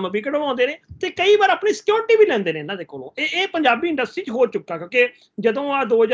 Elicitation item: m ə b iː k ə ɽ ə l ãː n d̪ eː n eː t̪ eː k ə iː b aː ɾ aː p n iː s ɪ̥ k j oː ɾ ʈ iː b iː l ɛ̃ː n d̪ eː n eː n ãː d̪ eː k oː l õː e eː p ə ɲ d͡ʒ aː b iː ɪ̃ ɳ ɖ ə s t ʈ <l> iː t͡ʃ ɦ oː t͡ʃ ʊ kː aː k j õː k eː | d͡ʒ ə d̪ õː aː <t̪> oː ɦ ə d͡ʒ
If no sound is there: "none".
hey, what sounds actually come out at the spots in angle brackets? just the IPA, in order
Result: ɾ, d̪

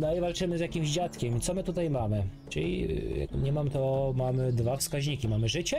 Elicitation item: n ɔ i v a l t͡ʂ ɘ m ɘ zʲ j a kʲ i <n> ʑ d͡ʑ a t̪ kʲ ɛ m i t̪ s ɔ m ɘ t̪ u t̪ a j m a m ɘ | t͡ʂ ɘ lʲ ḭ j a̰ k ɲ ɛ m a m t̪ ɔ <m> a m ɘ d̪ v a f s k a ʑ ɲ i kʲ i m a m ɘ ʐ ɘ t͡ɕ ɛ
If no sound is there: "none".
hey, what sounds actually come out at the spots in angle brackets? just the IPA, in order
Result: m, m

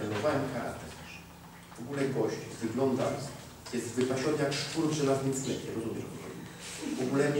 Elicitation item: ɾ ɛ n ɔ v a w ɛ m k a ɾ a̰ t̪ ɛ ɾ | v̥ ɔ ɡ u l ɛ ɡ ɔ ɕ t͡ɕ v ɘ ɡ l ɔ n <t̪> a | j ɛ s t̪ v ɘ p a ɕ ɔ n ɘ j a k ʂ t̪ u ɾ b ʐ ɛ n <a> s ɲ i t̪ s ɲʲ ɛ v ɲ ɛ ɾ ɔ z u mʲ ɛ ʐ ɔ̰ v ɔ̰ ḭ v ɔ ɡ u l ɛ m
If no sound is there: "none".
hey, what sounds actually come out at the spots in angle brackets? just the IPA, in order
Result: d̪, a

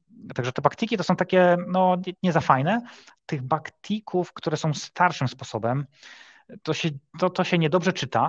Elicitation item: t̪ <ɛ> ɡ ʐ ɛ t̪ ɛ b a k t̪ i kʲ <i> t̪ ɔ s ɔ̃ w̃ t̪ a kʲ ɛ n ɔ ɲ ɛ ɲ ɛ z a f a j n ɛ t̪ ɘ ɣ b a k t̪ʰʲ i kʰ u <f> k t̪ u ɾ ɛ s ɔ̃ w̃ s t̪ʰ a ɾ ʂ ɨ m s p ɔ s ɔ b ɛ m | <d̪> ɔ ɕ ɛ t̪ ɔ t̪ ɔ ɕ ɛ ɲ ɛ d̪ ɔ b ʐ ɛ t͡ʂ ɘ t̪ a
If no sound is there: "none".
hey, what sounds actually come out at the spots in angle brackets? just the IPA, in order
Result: a, i, f, t̪

